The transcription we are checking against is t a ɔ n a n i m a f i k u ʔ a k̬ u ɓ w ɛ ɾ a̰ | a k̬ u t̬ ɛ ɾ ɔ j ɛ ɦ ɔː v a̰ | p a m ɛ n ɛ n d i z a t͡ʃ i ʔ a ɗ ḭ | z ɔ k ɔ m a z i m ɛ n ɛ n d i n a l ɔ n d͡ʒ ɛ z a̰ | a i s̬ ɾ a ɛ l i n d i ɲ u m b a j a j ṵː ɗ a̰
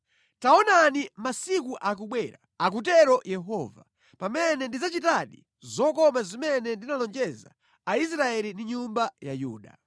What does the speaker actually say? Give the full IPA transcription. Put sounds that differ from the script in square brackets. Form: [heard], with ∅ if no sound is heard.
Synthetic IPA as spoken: t a ɔ n a n i m a [s] i k u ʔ a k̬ u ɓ w ɛ ɾ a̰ | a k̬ u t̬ ɛ ɾ ɔ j ɛ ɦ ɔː v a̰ | p a m ɛ n ɛ n d i z a t͡ʃ i [t] a ɗ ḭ | z ɔ k ɔ m a z i m ɛ n ɛ n d i n a l ɔ n d͡ʒ ɛ z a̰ | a i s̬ ɾ a ɛ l i n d i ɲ u m b a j a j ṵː ɗ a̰

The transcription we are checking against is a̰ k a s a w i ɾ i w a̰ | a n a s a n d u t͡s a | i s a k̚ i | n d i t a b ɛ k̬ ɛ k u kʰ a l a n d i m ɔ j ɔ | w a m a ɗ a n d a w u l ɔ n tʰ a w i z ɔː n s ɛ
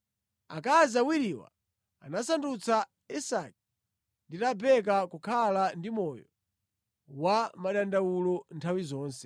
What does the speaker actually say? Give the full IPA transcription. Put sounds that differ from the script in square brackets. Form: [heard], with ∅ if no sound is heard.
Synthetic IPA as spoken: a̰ k a [z] a w i ɾ i w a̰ | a n a s a n d u t͡s a | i s a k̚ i | n d i t a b ɛ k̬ [a] k u kʰ a l a n d i m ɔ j ɔ | w a m a ɗ a n d a w u l ɔ n tʰ a w i z ɔː n s ɛ

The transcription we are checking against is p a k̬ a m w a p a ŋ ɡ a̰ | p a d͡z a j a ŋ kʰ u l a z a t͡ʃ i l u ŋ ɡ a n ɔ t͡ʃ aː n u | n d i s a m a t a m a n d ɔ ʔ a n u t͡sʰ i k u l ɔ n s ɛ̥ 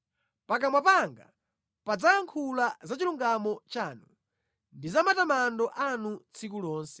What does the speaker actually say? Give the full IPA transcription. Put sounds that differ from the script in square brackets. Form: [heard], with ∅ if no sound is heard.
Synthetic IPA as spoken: p a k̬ a m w a p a ŋ ɡ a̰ | p a d͡z a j a ŋ kʰ u l a z a t͡ʃ i l u ŋ ɡ a [m] ɔ t͡ʃ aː n u | n d i [z] a m a t a m a n d ɔ ʔ a n u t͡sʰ i k u l [ɔː] n s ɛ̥

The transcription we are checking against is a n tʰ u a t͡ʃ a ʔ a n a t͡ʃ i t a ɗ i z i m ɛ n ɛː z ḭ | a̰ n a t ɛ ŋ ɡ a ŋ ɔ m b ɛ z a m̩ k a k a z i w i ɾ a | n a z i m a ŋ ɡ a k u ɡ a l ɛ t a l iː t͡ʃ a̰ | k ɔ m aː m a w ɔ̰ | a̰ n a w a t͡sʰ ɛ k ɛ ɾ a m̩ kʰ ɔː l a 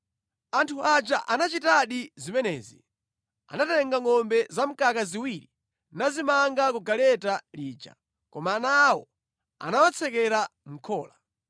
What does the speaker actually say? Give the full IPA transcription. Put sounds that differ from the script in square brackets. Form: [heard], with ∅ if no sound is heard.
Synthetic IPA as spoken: a n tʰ u a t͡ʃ a ʔ a n a t͡ʃ i t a ɗ i z i m ɛ n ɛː z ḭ | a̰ n a t ɛ ŋ ɡ a ŋ ɔ m b ɛ z a m̩ k a k a z i w i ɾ [i] | n a z i m a ŋ ɡ a k u ɡ a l ɛ t a l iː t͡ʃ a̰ | k ɔ m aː [n] a w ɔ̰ | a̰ n a w a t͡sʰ ɛ k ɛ ɾ a m̩ kʰ ɔː l a

